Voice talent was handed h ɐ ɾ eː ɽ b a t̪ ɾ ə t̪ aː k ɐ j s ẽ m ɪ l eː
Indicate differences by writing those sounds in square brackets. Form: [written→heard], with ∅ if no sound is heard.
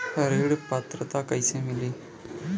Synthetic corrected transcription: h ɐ ɾ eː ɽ [b→p] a t̪ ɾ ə t̪ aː k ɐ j s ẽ m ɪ l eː